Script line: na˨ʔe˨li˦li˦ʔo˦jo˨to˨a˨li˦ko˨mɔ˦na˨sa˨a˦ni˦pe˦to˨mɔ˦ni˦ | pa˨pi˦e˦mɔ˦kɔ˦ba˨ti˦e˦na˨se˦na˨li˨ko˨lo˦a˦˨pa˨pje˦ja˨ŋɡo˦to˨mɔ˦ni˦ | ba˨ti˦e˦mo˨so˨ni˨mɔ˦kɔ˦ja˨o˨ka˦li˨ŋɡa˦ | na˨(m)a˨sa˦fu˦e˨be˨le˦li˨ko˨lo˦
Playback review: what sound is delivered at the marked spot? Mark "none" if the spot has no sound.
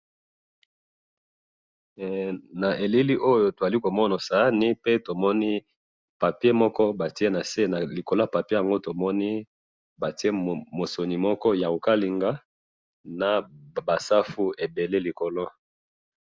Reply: b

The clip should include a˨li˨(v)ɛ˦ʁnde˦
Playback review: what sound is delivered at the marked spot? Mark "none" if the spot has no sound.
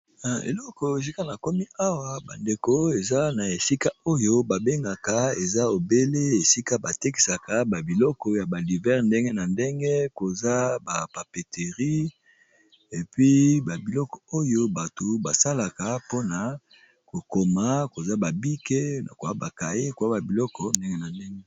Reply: v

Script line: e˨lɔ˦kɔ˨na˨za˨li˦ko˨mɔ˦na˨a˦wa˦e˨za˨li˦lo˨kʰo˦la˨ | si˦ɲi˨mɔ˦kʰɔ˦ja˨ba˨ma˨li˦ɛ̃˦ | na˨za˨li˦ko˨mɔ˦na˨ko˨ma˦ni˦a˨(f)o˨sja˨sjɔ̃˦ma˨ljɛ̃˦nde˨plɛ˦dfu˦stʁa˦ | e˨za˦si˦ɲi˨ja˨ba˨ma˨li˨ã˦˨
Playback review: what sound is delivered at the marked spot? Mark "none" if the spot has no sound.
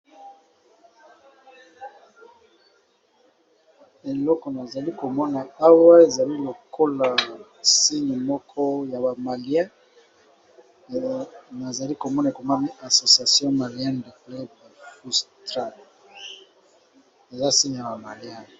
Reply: s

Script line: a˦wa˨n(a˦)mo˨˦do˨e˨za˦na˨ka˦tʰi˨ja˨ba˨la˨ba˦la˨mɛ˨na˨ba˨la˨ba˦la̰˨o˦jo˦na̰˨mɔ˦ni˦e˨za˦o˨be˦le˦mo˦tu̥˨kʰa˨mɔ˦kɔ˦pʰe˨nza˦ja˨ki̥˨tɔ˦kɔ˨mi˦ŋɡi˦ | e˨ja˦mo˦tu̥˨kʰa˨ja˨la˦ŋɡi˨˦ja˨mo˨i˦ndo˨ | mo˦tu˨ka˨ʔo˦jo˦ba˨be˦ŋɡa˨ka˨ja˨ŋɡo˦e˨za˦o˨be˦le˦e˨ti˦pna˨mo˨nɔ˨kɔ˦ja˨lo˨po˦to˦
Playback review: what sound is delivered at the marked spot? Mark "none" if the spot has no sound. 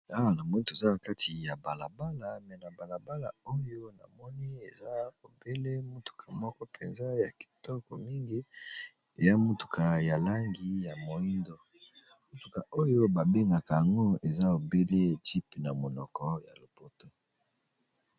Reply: a˨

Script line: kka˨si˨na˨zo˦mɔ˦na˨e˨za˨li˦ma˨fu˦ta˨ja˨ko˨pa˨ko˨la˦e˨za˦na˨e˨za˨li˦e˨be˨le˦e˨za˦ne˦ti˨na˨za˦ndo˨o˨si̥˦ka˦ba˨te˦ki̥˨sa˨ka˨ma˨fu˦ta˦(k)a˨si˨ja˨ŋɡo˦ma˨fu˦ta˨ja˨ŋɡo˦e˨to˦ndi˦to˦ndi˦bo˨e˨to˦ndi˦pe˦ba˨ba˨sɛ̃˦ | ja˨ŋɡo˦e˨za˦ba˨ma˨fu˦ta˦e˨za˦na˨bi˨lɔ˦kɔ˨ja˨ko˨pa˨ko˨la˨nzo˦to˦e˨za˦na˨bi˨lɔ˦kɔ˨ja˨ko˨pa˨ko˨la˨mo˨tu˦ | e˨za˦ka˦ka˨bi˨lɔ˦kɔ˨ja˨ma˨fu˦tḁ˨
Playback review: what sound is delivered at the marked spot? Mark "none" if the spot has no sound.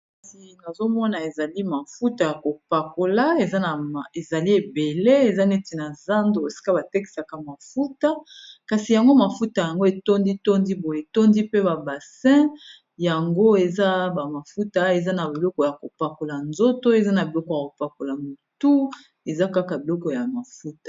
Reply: k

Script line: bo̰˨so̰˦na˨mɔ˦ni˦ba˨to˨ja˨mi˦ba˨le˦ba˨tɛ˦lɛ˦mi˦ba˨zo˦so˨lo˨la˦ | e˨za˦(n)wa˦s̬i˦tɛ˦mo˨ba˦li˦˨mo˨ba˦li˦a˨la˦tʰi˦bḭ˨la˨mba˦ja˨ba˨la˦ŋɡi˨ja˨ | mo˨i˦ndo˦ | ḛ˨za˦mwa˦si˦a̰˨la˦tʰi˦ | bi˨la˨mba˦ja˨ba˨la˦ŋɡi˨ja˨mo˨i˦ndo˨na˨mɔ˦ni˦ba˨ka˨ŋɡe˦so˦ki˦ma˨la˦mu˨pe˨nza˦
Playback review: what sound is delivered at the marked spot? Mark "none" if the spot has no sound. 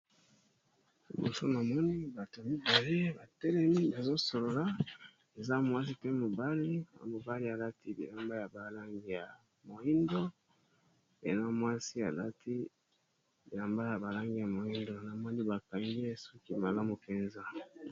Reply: m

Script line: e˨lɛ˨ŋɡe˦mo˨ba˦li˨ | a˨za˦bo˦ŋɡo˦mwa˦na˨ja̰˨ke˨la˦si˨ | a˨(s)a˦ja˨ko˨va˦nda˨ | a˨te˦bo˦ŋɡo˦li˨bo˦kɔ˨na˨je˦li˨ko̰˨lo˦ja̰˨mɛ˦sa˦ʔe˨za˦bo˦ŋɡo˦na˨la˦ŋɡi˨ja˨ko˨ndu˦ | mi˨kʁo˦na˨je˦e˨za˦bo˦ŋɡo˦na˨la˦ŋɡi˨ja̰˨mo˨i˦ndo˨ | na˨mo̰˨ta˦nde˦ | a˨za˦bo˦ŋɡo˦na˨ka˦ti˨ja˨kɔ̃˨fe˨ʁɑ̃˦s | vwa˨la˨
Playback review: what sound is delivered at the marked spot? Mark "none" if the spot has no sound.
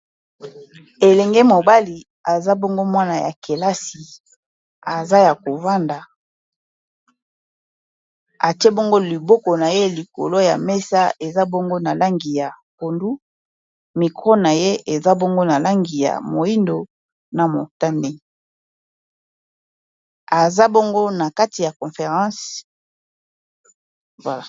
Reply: z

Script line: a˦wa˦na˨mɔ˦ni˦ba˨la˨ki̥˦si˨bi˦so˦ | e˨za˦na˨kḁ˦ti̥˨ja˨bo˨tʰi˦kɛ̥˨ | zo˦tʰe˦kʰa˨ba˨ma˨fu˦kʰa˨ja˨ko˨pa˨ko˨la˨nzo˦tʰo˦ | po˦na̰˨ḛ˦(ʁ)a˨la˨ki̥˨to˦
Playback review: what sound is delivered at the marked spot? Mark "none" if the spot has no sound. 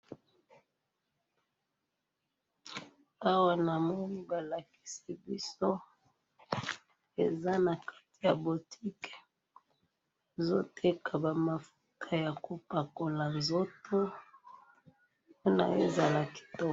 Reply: z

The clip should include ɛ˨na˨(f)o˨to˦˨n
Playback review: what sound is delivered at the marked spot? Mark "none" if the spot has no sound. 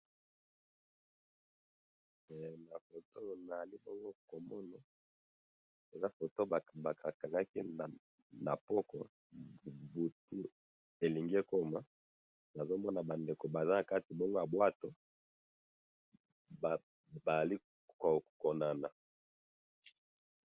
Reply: f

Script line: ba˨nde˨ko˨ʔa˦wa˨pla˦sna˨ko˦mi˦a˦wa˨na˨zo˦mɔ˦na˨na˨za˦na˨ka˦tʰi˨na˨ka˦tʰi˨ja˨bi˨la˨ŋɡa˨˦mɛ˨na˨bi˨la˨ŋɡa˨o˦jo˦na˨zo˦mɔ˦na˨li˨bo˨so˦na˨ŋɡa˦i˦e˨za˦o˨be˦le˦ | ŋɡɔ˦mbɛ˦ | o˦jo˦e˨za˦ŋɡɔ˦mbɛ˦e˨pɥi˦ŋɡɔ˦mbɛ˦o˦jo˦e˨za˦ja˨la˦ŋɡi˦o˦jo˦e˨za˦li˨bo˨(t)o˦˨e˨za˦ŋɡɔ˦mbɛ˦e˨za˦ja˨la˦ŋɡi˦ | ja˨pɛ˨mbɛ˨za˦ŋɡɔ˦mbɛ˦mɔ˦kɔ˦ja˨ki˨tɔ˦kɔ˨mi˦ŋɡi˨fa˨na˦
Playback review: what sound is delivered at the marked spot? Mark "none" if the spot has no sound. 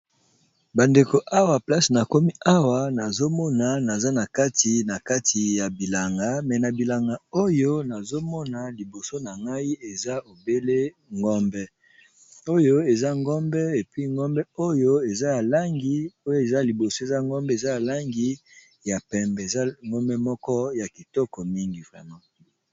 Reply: s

